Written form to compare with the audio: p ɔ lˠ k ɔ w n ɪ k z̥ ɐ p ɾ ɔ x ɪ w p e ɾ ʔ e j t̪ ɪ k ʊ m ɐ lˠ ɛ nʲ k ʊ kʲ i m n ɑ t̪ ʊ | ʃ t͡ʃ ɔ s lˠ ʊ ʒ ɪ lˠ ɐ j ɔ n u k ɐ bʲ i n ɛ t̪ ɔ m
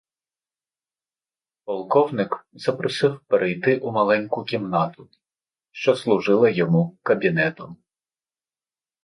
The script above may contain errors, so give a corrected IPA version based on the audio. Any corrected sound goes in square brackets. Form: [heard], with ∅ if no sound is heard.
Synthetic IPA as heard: p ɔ lˠ k ɔ w n ɪ k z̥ ɐ p ɾ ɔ [s] ɪ w p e ɾ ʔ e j t̪ ɪ [ʔ] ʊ m ɐ lˠ ɛ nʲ k ʊ kʲ i m n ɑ t̪ ʊ | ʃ t͡ʃ ɔ s lˠ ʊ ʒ ɪ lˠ ɐ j ɔ [m] u k ɐ bʲ i n ɛ t̪ ɔ m